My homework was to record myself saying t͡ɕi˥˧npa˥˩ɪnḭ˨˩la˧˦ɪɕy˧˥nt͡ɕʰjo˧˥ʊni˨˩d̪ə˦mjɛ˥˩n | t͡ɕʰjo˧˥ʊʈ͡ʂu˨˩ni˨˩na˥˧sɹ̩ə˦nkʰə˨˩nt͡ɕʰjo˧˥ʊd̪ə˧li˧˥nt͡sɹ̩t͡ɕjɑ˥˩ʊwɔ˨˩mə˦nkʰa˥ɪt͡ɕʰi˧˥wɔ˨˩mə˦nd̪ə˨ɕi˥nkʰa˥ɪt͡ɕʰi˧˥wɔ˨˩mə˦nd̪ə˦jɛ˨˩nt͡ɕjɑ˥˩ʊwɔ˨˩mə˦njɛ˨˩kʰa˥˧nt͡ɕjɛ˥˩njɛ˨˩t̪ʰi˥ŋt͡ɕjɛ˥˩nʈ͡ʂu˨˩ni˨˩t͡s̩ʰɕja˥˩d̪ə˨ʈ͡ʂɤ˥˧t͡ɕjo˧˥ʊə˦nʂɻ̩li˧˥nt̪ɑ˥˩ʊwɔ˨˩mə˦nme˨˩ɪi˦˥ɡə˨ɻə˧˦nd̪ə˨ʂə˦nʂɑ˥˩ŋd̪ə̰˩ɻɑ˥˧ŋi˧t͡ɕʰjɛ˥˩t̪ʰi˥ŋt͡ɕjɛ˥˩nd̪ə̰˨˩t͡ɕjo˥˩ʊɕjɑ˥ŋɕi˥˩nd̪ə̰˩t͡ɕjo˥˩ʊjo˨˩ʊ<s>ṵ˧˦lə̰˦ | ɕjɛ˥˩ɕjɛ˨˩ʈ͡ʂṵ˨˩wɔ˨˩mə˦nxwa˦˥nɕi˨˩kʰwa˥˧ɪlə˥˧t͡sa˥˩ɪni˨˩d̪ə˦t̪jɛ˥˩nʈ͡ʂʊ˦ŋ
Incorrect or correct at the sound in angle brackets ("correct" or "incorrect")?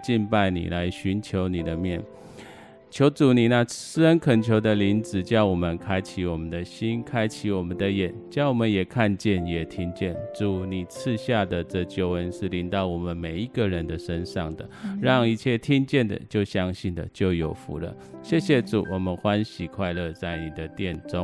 incorrect